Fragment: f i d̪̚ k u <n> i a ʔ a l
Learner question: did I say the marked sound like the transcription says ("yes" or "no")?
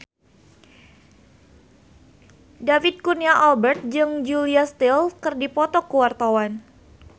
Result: yes